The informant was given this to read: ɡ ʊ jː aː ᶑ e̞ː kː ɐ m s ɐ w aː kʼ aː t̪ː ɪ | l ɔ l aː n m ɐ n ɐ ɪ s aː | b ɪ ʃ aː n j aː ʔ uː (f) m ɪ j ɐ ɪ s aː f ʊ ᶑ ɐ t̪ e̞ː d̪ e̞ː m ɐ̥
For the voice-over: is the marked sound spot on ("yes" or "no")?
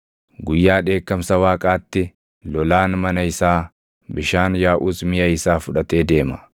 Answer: no